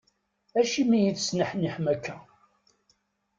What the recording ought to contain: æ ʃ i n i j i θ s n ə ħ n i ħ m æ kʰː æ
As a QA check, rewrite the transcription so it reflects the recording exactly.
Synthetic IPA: æ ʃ i m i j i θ s n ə ħ n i ħ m æ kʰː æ